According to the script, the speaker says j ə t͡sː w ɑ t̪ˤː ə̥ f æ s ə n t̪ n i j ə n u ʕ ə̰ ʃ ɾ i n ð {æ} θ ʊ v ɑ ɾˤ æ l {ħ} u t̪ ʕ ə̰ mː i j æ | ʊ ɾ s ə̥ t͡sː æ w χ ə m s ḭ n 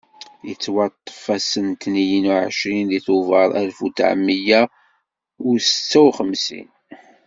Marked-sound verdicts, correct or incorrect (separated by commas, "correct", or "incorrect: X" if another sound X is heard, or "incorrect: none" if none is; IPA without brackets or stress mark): incorrect: i, incorrect: f